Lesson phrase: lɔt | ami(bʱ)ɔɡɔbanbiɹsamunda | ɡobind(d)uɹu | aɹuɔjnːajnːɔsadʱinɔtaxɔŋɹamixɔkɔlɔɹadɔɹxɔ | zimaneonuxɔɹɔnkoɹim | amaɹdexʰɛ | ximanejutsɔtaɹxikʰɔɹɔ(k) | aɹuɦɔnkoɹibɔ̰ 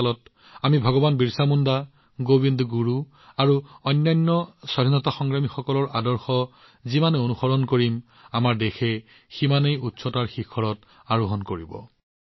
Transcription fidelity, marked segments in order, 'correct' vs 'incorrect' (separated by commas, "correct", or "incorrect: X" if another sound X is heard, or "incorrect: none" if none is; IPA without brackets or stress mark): correct, incorrect: ɡ, incorrect: t